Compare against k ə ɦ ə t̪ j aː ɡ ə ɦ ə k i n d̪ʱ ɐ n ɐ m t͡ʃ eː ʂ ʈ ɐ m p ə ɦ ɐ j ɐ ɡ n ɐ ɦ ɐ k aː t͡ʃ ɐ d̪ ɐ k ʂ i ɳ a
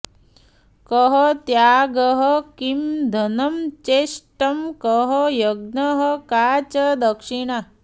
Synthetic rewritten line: k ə ɦ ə t̪ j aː ɡ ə ɦ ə k i m d̪ʱ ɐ n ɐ m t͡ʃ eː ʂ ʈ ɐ m k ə ɦ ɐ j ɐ ɡ n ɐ ɦ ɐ k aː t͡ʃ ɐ d̪ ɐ k ʂ i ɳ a